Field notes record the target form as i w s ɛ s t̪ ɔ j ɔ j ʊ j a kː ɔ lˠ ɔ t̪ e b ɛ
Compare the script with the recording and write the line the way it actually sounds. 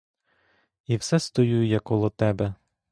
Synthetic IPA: i w s ɛ s t̪ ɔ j u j ʊ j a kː ɔ lˠ ɔ t̪ ɛ b ɛ